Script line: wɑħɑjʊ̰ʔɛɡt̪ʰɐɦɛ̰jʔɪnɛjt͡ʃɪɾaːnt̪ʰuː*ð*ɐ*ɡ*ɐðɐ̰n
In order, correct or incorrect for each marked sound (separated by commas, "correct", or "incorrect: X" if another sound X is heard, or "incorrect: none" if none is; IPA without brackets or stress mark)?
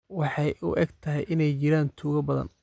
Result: incorrect: ɣ, incorrect: b